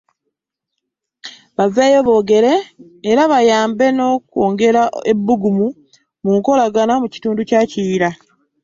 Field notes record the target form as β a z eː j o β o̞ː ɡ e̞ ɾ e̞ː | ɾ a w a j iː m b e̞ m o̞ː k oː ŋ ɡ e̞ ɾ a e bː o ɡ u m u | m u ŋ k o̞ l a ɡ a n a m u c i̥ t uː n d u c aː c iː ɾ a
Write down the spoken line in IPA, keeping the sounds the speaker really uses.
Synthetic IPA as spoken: β a v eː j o β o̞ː ɡ e̞ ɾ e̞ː | ɾ a β a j aː m b e̞ n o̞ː k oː ŋ ɡ e̞ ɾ a e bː u ɡ u m u | m u ŋ k o̞ l a ɡ a n a m u c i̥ t uː n d u c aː c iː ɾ a

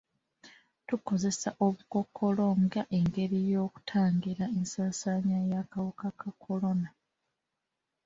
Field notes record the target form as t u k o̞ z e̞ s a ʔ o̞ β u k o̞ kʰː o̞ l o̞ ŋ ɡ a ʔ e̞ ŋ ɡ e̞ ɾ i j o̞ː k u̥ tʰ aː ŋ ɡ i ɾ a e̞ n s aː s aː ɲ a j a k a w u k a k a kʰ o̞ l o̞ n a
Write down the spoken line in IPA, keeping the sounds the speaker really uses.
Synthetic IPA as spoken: t u k o̞ z e̞ s a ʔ o̞ β u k o̞ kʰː o̞ l o̞ ŋ ɡ a ʔ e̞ ŋ ɡ e̞ ɾ i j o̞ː k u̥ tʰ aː ŋ ɡ i ɾ a e̞ n s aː s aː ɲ a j a k a w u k a k a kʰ o̞ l o̞ n a

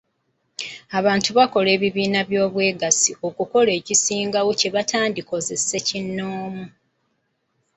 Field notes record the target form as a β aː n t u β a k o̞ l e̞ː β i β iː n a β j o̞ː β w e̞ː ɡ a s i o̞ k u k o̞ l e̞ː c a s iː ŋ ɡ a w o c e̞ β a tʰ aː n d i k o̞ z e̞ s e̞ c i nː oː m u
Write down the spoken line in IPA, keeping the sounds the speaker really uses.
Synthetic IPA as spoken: a β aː n t u β a k o̞ l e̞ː β i β iː n a β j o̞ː β w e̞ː ɡ a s i o̞ k u k o̞ l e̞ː c i s iː ŋ ɡ a w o c e̞ β a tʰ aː n d i k o̞ z e̞ s e̞ c i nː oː m u

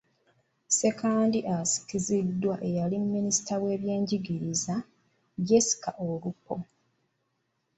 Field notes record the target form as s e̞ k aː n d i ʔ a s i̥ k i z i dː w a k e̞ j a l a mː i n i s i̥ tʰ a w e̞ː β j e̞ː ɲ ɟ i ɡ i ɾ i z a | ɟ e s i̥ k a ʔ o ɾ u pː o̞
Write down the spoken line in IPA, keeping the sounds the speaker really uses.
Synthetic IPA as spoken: s e̞ k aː n d i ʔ a s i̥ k i z i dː w a ʔ e̞ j a l i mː i n i s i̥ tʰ a w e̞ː β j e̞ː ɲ ɟ i ɡ i ɾ i z a | ɟ e s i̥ k a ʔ o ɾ u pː o̞

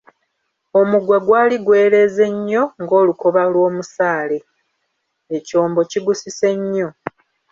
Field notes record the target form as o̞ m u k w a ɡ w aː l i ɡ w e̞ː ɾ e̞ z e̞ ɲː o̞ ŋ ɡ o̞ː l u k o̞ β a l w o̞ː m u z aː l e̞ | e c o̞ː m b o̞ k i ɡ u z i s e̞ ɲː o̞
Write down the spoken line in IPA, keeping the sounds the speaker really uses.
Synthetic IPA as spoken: o̞ m u ɡ w a ɡ w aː l i ɡ w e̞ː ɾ e̞ z e̞ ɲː o̞ ŋ ɡ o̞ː l u k o̞ β a l w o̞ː m u s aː l e̞ | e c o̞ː m b o̞ c i ɡ u s i s e̞ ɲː o̞

